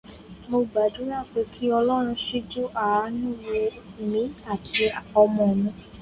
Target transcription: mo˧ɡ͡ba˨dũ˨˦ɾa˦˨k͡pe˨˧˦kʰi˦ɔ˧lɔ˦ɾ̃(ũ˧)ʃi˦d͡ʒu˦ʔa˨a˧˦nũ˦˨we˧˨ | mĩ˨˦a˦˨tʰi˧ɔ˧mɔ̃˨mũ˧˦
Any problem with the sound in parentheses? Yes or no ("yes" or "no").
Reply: no